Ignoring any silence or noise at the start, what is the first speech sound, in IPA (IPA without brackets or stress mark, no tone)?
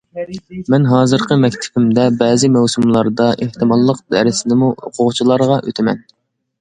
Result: m